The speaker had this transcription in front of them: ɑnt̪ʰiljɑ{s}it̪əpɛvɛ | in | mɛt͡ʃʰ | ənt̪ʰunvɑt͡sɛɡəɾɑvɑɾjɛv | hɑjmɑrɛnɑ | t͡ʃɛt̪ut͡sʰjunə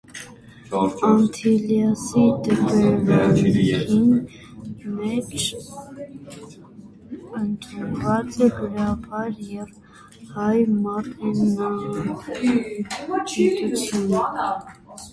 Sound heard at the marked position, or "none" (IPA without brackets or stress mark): s